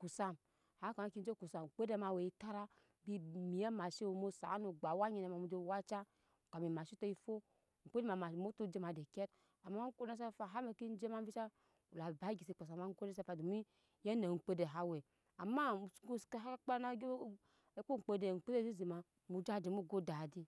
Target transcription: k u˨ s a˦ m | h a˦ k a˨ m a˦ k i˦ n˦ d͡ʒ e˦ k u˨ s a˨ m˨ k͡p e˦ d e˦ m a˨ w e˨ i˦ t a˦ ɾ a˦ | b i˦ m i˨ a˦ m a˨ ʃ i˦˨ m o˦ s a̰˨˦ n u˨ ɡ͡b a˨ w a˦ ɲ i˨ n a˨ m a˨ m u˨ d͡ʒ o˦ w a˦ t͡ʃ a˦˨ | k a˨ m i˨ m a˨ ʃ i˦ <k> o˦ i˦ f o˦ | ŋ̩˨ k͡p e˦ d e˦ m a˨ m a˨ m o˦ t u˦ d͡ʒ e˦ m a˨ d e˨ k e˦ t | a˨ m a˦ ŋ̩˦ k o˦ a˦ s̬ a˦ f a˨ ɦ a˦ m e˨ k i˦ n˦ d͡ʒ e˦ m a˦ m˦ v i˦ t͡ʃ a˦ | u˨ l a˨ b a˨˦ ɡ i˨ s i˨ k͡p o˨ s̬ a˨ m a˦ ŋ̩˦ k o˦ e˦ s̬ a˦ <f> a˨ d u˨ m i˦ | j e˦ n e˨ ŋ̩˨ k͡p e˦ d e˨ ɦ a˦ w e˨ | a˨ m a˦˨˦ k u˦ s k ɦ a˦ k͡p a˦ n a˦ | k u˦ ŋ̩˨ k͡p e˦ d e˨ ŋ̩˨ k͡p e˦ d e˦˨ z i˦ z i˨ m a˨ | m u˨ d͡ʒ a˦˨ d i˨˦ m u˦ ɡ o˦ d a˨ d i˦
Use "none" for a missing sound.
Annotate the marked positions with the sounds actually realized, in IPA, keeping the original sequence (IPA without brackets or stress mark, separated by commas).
t, f